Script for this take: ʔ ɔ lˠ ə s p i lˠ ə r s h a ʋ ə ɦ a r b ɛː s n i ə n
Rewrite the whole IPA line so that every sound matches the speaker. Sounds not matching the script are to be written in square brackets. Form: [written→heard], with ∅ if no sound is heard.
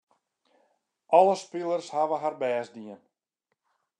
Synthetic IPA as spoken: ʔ ɔ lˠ ə s p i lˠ ə r s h a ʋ ə ɦ a r b ɛː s [n→d] i ə n